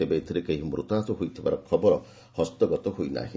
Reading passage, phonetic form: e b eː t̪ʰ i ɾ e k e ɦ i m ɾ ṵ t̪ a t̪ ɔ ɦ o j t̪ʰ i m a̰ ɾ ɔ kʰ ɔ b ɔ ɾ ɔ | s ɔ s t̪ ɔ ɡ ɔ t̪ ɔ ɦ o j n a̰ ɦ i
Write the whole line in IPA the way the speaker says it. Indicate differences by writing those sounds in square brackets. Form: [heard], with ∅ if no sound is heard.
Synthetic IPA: e b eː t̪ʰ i ɾ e k e ɦ i m ɾ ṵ t̪ a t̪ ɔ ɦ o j t̪ʰ i [b] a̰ ɾ ɔ kʰ ɔ b ɔ ɾ ɔ | [h] ɔ s t̪ ɔ ɡ ɔ t̪ ɔ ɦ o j n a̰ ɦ i